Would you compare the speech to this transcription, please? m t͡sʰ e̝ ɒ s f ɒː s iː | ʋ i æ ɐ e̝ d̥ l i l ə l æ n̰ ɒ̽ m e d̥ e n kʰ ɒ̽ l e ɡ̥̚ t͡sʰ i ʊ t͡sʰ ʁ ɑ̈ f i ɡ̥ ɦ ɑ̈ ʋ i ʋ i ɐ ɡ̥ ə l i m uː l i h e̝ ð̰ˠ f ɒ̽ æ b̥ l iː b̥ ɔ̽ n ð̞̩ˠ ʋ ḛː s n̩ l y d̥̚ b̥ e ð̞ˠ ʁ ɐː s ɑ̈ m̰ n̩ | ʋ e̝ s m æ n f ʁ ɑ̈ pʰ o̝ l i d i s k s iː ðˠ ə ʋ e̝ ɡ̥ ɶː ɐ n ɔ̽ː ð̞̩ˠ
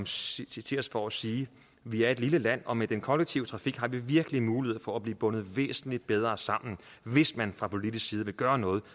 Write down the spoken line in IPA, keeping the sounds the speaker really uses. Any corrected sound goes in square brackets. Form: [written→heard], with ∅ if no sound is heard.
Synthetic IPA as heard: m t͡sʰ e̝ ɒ s f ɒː s iː | ʋ i æ ɐ e̝ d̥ l i l ə l æ n̰ ɒ̽ m e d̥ e n kʰ ɒ̽ l e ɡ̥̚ t͡sʰ i ʊ t͡sʰ ʁ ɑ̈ f i ɡ̥ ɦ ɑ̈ ʋ i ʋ i ɐ ɡ̥ ə l i m uː l i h e̝ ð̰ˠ f ɒ̽ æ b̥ l iː b̥ ɔ̽ n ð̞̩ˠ ʋ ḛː s n̩ l [y→i] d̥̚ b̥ e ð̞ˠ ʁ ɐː s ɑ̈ m̰ n̩ | ʋ e̝ s m æ n f ʁ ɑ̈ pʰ o̝ l i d i s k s iː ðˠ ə ʋ e̝ ɡ̥ ɶː ɐ n ɔ̽ː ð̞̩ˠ